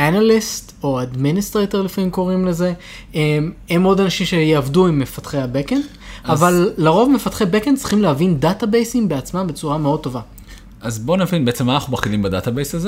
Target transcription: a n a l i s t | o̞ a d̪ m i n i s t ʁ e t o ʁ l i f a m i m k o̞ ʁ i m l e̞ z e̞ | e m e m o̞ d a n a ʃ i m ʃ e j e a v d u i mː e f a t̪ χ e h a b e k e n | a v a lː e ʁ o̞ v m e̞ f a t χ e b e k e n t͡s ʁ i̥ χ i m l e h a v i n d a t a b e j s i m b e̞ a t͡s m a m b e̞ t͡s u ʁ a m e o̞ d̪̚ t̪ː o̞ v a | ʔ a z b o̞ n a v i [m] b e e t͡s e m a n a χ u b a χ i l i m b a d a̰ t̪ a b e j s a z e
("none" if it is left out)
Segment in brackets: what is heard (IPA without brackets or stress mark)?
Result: n